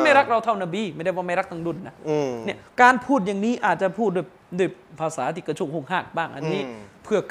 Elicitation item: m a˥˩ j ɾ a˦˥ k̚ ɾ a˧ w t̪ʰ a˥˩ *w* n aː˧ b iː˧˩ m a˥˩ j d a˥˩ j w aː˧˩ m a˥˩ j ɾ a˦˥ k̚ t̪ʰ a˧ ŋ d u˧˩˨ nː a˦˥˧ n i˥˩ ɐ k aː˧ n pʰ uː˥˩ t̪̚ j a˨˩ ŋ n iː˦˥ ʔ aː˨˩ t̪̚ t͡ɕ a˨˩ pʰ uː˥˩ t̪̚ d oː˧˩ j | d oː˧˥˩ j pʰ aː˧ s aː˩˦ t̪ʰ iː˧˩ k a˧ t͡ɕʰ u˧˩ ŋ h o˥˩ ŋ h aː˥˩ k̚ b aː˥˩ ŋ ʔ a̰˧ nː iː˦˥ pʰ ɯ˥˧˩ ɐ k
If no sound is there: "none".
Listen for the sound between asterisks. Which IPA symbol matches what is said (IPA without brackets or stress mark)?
w